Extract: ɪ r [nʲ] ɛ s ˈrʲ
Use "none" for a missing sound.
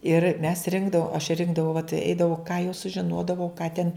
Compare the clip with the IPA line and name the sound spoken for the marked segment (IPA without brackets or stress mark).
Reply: mʲ